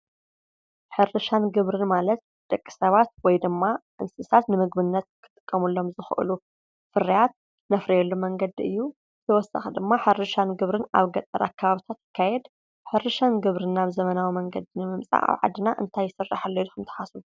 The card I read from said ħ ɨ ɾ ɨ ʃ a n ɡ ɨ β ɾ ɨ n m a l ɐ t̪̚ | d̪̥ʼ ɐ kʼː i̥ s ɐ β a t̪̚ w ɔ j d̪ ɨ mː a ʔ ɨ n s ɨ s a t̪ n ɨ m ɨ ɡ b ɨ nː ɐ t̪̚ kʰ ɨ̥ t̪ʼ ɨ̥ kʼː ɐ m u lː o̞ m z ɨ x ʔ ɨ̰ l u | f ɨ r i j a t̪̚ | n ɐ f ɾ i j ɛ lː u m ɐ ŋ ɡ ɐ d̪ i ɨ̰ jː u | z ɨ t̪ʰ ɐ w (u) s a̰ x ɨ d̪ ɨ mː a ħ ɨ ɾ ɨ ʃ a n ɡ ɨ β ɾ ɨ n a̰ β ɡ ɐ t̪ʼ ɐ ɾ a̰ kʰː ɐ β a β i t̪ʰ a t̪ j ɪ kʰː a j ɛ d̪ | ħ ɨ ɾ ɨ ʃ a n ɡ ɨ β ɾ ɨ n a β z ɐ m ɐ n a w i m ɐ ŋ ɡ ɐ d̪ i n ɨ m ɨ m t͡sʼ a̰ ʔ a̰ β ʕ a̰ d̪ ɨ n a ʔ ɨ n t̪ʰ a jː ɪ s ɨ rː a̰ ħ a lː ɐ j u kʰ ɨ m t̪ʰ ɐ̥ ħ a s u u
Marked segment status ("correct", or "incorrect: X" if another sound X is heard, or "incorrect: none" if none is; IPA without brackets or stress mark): incorrect: ɔ